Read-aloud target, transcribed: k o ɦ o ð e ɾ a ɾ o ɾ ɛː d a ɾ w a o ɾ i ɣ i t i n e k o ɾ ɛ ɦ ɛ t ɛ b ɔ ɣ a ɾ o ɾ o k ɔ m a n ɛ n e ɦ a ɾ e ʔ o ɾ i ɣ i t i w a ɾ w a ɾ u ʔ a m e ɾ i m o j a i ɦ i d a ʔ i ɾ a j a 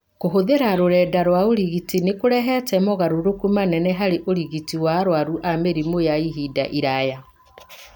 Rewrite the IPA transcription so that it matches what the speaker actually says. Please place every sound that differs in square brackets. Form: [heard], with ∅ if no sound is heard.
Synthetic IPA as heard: k o ɦ o ð e ɾ a ɾ o ɾ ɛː d a ɾ w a o ɾ i ɣ i t i n e k o ɾ ɛ ɦ ɛ t ɛ [m] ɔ ɣ a ɾ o ɾ o k [u] m a n ɛ n [ɛ] ɦ a ɾ e ʔ o ɾ i ɣ i t i w a ɾ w a ɾ u ʔ a m e ɾ i m o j a i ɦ i d a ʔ i ɾ a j a